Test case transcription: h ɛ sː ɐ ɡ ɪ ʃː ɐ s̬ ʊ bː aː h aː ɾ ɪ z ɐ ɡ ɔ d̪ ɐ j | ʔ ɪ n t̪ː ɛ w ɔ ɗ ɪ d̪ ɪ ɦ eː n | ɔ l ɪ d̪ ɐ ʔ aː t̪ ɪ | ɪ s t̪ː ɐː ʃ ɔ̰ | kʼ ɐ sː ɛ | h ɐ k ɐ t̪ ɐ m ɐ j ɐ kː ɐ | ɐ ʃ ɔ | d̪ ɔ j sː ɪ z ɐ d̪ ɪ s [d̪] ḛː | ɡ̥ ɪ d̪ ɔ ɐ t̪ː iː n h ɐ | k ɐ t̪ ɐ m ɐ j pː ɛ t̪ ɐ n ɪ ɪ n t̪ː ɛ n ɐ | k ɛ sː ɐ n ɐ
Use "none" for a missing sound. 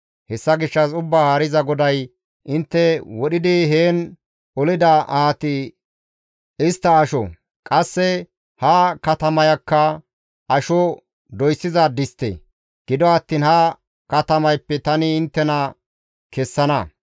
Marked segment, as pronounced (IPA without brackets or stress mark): t̪